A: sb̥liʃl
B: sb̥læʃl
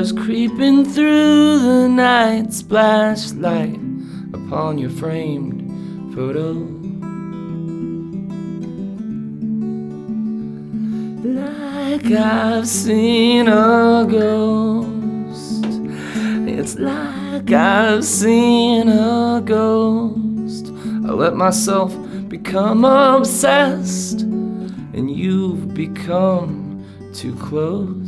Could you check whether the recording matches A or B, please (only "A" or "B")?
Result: B